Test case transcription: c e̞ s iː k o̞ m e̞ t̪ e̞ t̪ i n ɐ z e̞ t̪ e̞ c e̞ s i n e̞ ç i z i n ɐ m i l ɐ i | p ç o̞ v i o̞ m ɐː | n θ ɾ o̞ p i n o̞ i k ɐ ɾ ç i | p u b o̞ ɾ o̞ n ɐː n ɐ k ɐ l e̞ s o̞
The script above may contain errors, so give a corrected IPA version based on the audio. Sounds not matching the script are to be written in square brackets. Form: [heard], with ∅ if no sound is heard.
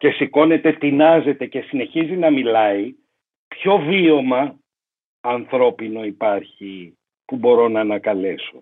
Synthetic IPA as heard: c e̞ s [i] k o̞ [n] e̞ t̪ e̞ t̪ i n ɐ z e̞ t̪ e̞ c e̞ s i n e̞ ç i z i n ɐ m i l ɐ i | p ç o̞ v i o̞ m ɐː | n θ ɾ o̞ p i n o̞ i [p] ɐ ɾ ç i | p u b o̞ ɾ o̞ n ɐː n ɐ k ɐ l e̞ s o̞